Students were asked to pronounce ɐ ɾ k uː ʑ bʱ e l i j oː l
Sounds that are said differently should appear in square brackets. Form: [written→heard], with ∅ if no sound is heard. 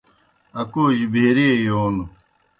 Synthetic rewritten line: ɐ [ɾ→∅] k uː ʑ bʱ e [l→ɾ] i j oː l